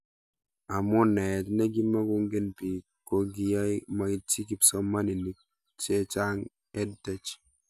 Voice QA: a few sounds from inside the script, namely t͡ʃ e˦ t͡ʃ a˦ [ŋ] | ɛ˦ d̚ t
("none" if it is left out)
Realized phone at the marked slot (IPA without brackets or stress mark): ŋ